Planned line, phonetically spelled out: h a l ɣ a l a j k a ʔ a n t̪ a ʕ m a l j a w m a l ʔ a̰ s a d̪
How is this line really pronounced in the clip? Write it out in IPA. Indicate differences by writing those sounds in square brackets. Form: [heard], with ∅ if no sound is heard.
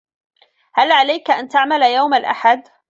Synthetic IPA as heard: h a l [ʕ] a l a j k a ʔ a n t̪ a ʕ m a l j a w m a l ʔ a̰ [ħ] a d̪